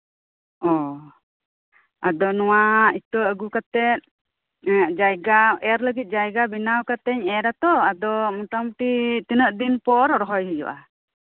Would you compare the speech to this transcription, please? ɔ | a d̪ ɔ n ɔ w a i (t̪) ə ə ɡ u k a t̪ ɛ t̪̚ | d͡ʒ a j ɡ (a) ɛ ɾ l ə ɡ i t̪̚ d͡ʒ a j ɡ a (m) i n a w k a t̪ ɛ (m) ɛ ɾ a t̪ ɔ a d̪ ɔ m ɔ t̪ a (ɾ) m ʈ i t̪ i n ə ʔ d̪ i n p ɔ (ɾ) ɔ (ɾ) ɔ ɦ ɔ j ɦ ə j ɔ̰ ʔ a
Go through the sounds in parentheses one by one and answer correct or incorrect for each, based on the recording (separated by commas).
correct, correct, incorrect, incorrect, incorrect, correct, correct